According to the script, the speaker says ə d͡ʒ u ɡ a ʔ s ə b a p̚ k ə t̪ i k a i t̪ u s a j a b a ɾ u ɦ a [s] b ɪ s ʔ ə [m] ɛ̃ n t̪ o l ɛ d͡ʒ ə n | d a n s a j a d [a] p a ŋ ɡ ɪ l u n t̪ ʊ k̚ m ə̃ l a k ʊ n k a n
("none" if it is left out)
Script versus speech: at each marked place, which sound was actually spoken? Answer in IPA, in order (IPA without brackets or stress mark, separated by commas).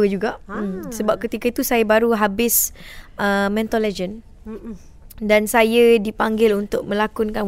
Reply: none, m, i